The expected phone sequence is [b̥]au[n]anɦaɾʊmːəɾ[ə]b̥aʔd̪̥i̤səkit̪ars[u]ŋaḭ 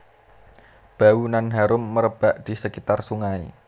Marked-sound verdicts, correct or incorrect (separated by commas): correct, correct, correct, correct